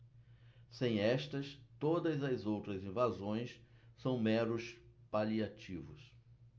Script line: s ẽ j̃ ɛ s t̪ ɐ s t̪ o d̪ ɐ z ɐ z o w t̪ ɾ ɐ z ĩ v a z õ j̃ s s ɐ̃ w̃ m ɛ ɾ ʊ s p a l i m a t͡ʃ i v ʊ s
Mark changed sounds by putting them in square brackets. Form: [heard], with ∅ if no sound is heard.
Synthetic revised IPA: s ẽ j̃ ɛ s t̪ ɐ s t̪ o d̪ ɐ z ɐ z o w t̪ ɾ ɐ z ĩ v a z õ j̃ s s ɐ̃ w̃ m ɛ ɾ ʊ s p a l i [∅] a t͡ʃ i v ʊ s